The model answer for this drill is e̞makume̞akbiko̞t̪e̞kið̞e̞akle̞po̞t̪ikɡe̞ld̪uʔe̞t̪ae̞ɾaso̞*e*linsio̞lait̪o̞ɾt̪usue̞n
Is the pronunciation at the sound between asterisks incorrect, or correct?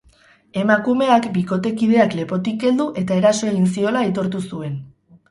correct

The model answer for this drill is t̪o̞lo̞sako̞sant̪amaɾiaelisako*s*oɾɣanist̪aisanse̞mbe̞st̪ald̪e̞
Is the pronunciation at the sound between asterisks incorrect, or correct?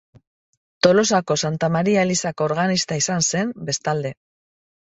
incorrect: none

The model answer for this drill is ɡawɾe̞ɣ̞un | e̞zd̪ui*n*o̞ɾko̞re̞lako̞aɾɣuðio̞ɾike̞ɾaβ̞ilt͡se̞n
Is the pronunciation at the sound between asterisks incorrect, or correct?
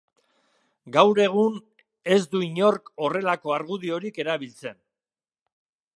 incorrect: ɲ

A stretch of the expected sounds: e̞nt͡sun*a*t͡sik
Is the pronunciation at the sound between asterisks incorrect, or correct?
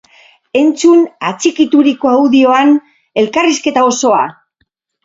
correct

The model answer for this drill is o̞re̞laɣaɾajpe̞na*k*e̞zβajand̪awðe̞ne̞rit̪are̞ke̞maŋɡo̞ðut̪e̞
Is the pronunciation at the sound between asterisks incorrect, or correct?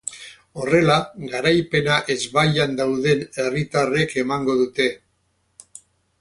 incorrect: ʔ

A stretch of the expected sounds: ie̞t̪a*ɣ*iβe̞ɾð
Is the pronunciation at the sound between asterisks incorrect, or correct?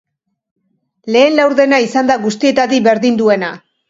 incorrect: ð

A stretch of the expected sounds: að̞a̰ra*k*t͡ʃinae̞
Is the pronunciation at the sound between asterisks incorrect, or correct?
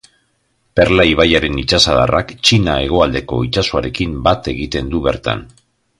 correct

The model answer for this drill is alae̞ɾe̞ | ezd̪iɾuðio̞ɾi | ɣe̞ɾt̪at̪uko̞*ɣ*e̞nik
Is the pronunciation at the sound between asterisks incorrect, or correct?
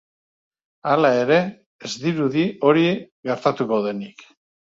incorrect: ð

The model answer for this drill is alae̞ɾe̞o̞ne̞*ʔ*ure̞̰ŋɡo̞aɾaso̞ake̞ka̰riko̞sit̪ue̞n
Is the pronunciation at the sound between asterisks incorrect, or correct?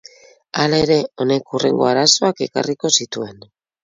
incorrect: k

